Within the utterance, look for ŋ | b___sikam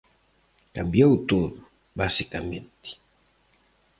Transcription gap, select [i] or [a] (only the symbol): a